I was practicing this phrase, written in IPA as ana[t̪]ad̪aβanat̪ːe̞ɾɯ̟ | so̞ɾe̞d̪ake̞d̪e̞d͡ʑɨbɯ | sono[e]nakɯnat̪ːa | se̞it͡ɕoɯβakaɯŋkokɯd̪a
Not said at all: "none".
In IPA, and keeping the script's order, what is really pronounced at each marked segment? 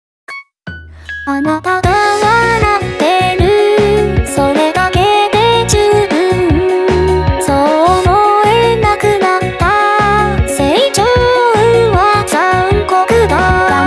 t̪, e

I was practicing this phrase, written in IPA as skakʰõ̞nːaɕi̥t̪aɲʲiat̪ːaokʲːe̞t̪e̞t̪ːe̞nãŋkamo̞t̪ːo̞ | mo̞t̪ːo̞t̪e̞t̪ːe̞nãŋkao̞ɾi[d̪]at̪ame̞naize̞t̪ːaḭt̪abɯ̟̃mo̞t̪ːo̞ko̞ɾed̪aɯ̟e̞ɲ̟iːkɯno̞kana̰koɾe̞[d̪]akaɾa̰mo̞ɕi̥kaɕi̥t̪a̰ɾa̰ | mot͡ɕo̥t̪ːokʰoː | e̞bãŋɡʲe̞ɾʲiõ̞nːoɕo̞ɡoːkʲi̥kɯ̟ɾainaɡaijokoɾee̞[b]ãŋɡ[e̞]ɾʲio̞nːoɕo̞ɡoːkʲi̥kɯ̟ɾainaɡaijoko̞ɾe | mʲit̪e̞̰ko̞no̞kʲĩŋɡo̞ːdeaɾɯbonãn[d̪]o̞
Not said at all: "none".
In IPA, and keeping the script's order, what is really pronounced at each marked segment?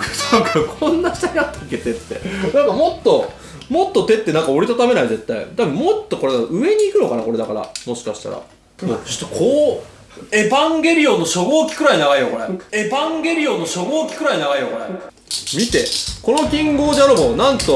t̪, d̪, b, e̞, t̪

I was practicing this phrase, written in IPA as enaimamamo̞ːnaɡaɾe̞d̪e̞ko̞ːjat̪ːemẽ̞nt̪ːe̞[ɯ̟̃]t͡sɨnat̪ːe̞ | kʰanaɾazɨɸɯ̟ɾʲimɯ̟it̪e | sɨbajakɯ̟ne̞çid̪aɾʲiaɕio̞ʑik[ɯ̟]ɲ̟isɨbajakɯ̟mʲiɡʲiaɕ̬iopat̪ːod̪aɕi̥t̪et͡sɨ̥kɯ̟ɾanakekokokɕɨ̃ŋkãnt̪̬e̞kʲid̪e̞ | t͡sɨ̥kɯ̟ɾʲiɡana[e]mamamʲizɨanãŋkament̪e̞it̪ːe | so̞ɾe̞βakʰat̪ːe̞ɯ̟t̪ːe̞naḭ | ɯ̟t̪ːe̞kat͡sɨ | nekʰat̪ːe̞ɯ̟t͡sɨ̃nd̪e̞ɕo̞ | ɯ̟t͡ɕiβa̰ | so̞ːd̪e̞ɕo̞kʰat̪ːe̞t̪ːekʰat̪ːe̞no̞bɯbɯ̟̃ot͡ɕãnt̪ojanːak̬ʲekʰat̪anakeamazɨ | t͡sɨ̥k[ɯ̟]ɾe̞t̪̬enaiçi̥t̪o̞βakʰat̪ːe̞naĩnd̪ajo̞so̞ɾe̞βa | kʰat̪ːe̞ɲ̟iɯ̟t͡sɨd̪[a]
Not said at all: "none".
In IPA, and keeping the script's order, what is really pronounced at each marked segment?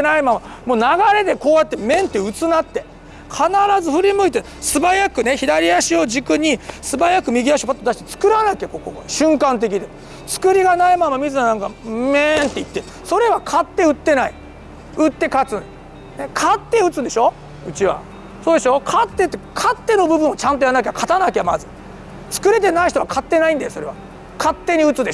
ɯ̟, ɯ̟, i, ɯ̟, e

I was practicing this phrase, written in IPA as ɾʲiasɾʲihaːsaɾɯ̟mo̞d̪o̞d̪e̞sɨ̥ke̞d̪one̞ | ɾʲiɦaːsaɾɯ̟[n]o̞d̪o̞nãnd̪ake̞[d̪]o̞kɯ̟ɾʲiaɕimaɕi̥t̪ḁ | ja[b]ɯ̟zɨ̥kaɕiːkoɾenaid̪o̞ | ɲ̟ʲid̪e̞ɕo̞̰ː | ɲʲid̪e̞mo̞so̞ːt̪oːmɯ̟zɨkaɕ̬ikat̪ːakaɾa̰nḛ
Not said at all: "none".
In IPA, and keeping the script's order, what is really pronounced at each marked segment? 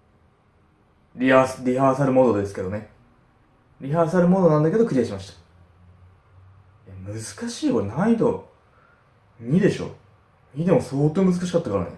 m, d̪, m

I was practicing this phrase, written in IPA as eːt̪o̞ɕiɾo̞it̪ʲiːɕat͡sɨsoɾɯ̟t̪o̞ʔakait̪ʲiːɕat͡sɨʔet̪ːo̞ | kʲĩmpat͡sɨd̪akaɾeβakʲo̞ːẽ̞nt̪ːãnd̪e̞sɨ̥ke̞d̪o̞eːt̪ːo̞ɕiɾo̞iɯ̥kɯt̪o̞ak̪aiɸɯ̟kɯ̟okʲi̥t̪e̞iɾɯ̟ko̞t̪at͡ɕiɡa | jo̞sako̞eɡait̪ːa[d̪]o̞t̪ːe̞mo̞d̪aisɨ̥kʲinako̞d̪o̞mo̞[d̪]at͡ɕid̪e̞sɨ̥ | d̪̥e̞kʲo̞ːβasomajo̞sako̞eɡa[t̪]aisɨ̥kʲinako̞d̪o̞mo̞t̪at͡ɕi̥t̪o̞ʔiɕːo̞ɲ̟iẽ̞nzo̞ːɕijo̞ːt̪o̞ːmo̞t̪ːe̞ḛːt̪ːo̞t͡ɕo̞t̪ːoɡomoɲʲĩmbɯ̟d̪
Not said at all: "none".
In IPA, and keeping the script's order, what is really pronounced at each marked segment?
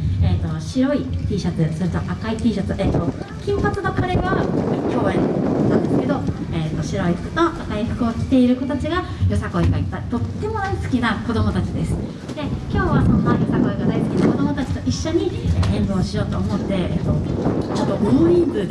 t̪, t̪, d̪

